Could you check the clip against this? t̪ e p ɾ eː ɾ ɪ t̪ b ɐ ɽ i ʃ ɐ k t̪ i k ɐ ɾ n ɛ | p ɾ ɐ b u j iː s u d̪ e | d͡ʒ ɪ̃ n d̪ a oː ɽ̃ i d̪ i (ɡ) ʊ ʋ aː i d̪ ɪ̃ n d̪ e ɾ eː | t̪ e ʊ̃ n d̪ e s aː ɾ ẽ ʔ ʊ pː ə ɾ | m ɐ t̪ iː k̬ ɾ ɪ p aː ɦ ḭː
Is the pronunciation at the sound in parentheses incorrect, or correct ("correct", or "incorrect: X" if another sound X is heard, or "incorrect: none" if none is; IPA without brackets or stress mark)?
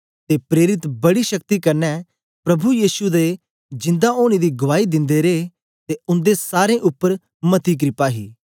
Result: correct